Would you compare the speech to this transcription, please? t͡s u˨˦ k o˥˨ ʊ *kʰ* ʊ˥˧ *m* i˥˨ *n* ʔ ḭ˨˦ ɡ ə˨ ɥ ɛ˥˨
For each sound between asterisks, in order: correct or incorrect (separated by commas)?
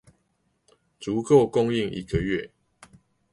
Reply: incorrect, incorrect, incorrect